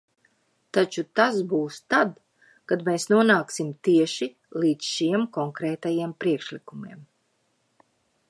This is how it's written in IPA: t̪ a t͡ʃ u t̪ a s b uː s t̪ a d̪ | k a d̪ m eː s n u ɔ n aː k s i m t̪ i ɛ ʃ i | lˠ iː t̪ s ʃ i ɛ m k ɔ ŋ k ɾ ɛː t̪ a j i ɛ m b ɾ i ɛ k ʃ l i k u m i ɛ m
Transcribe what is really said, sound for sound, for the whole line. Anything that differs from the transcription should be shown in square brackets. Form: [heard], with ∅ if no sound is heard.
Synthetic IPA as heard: t̪ a t͡ʃ u t̪ a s b uː s t̪ a d̪ | k a d̪ m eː s n u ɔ n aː k s i m t̪ i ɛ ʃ i | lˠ iː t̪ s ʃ i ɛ m k ɔ ŋ k ɾ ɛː t̪ a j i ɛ m [p] ɾ i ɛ k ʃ l i k u m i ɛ m